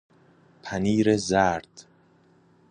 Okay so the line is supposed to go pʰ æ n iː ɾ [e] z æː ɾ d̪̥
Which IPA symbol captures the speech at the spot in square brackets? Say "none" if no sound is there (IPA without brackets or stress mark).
e